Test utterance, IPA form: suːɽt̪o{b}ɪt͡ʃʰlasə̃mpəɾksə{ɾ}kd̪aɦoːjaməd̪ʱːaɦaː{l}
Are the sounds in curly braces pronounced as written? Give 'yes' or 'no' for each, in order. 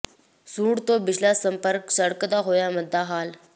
yes, no, yes

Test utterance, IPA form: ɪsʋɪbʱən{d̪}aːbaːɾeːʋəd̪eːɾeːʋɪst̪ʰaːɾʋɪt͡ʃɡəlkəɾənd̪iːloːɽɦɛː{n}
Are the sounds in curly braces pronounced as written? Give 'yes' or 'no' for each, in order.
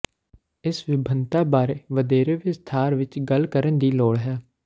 no, no

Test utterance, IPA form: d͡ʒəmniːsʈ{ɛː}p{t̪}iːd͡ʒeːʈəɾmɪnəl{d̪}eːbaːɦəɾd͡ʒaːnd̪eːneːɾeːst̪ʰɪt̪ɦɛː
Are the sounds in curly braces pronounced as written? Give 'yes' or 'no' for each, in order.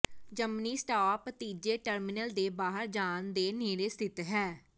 no, yes, yes

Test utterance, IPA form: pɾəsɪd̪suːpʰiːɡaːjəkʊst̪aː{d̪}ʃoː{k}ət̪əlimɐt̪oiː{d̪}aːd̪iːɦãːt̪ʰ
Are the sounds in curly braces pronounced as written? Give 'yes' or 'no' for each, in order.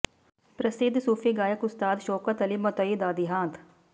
yes, yes, yes

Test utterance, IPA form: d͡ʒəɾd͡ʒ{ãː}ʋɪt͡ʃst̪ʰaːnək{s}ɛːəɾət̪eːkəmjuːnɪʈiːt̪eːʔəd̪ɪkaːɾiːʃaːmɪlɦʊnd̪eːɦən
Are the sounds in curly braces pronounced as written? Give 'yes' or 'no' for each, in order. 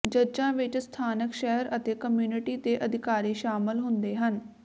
yes, no

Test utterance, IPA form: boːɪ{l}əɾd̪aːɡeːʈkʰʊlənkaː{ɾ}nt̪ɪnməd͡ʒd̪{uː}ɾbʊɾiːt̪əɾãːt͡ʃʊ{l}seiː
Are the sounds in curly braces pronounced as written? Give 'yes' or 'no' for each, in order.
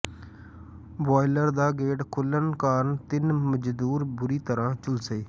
yes, yes, yes, yes

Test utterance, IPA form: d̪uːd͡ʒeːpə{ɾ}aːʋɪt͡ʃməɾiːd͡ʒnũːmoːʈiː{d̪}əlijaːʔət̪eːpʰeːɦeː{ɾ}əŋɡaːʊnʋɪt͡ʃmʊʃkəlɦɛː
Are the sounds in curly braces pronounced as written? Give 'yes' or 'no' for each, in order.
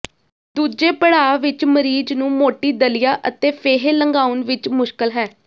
no, yes, no

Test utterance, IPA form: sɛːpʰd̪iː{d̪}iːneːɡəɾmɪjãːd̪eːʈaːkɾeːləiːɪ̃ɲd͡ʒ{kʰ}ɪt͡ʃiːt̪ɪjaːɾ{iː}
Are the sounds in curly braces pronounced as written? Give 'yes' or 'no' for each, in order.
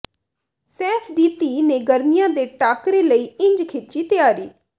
no, yes, yes

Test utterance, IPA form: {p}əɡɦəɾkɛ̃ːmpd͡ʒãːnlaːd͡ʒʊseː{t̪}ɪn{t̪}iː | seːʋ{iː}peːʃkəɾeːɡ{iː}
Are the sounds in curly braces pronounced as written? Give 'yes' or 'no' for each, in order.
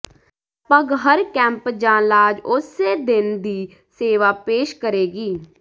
yes, no, no, no, yes

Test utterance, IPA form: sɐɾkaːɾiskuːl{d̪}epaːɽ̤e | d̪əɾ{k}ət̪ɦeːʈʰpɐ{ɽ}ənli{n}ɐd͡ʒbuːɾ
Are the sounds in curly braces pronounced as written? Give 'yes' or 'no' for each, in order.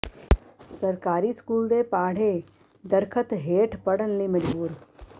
yes, no, yes, no

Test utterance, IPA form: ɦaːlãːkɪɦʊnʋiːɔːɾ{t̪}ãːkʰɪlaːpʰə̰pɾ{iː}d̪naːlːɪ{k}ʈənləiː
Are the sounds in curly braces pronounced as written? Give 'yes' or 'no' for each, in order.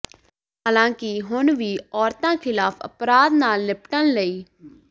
yes, no, no

